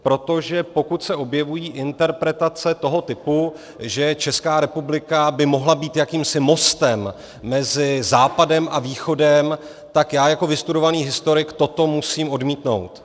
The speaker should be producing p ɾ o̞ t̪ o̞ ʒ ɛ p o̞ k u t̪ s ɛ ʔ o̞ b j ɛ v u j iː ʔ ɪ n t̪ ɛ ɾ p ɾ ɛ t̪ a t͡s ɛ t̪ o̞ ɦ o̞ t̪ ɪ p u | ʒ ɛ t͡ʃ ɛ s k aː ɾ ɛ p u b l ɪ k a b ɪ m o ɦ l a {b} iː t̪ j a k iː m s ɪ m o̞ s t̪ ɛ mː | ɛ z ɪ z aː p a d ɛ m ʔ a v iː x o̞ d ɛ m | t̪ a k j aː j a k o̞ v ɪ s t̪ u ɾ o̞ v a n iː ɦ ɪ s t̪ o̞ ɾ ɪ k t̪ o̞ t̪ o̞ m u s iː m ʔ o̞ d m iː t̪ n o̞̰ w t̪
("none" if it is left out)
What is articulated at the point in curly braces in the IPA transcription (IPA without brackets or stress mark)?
b